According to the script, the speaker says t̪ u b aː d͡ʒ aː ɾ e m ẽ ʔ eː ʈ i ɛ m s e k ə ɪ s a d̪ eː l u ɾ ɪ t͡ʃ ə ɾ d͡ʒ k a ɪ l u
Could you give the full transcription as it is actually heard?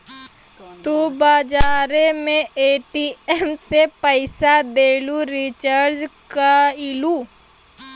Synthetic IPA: t̪ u b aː d͡ʒ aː ɾ e m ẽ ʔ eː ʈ i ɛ m s e p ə ɪ s a d̪ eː l u ɾ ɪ t͡ʃ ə ɾ d͡ʒ k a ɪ l u